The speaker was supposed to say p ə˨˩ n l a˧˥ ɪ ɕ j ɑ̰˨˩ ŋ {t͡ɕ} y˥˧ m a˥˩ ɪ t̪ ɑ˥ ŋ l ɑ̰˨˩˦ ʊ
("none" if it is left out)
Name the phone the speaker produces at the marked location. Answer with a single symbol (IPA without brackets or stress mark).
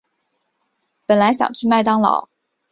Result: t͡ɕʰ